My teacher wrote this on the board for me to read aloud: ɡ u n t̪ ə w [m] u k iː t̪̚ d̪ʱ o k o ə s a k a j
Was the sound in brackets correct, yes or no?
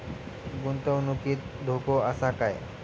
no